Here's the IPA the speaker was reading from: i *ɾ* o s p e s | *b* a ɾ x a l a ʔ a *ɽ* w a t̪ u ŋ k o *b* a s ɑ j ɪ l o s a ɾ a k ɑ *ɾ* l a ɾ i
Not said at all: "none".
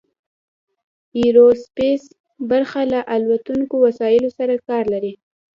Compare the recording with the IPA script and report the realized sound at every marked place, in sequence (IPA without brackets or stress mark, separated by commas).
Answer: ɾ, b, l, w, ɾ